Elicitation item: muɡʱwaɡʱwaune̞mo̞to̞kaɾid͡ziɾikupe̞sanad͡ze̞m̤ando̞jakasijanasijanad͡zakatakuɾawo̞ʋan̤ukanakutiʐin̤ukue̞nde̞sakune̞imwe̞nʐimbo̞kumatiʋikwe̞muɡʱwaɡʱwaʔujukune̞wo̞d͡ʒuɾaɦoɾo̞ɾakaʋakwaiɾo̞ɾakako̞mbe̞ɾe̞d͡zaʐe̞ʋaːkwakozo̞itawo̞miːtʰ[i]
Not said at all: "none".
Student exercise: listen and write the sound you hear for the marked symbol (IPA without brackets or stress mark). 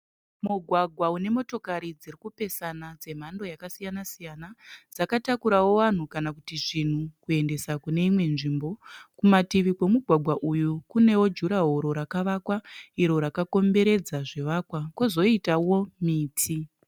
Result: i